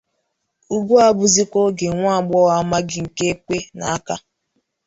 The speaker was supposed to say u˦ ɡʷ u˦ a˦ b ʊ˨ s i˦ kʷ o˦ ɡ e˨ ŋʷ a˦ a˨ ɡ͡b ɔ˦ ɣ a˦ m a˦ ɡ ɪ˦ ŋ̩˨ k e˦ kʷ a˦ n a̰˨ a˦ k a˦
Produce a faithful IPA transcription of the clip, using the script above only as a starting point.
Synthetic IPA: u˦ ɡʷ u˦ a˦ b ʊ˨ z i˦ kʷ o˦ ɡ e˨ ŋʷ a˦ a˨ ɡ͡b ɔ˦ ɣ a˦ m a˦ ɡ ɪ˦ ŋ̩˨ k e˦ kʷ e˦ n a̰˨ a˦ k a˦